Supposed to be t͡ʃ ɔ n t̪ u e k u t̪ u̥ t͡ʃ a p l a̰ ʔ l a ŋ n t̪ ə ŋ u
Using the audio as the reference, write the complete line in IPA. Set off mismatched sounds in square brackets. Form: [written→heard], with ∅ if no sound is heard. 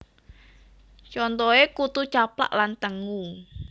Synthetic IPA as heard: t͡ʃ ɔ n t̪ [u→ɔ] e k u t̪ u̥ t͡ʃ a p l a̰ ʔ l a [ŋ→∅] n t̪ ə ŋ u